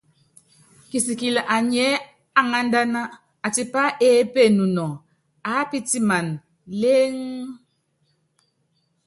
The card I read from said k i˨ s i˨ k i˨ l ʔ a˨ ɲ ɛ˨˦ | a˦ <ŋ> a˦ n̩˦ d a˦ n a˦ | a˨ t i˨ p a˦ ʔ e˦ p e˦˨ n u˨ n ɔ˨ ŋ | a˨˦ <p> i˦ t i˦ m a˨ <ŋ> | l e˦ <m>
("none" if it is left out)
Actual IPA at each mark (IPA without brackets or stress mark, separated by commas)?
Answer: ŋ, p, n, ŋ